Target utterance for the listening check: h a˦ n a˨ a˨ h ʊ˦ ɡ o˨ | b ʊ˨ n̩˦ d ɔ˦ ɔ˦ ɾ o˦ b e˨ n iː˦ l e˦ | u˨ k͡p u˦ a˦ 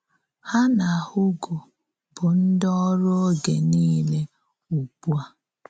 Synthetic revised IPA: h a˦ n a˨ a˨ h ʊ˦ ɡ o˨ | b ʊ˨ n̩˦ d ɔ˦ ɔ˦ ɾ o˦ ɡ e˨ n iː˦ l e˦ | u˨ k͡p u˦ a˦